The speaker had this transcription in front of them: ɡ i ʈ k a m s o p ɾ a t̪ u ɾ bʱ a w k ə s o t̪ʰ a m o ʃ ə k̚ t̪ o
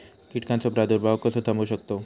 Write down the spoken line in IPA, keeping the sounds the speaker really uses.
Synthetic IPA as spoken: k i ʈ k a n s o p ɾ a d̪ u ɾ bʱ a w k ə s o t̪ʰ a m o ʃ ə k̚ t̪ o